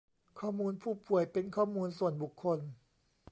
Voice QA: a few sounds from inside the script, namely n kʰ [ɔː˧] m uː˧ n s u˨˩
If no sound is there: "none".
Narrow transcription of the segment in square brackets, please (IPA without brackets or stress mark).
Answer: ɔː˥˩